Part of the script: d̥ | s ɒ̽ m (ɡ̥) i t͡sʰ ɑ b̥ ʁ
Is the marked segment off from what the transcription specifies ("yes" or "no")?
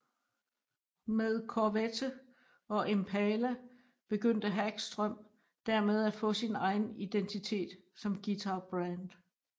no